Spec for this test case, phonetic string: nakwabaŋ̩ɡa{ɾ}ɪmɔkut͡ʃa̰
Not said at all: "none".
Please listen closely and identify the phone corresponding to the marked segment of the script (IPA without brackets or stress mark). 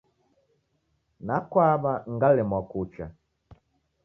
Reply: l